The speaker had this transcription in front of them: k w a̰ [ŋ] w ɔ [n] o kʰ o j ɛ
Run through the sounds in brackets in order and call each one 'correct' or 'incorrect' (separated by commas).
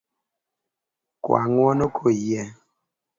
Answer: correct, correct